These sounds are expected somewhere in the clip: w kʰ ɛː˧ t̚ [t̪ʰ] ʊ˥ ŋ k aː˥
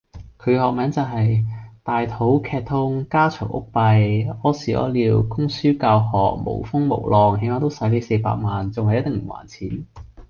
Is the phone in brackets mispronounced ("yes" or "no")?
no